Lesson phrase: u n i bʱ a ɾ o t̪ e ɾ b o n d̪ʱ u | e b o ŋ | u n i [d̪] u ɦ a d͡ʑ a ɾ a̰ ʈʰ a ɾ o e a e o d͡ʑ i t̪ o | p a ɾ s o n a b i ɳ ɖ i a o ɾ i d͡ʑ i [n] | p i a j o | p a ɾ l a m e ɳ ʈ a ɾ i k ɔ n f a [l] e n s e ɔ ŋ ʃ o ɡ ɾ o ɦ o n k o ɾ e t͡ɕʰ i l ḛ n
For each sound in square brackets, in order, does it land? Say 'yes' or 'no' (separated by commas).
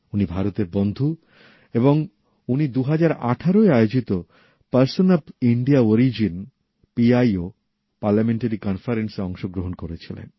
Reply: yes, yes, no